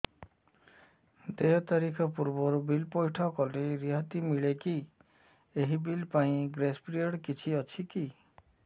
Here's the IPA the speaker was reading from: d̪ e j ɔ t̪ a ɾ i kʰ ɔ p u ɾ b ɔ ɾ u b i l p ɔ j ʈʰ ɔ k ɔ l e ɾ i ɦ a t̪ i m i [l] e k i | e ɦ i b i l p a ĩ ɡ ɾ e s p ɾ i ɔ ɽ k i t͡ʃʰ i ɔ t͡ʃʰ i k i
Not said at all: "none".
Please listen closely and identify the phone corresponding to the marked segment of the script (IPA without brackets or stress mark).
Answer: ɭ